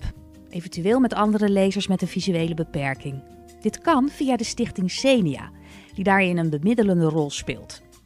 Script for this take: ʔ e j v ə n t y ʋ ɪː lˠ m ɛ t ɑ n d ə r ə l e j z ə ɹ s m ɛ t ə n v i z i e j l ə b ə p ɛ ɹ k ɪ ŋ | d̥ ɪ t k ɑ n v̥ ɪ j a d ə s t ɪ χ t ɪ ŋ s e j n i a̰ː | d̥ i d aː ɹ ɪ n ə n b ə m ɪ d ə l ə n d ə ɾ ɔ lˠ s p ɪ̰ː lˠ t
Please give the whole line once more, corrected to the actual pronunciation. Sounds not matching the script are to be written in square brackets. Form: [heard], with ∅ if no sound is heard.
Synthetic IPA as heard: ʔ e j v ə n t y ʋ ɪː lˠ m ɛ t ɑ n d ə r ə l e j z ə ɹ s m ɛ t ə n v i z [y] e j l ə b ə p ɛ ɹ k ɪ ŋ | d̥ ɪ t k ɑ n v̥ [i] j a d ə s t ɪ χ t ɪ ŋ s e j n i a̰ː | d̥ i d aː ɹ ɪ n ə n b ə m ɪ d ə l ə n d ə [r] ɔ lˠ s p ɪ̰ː lˠ t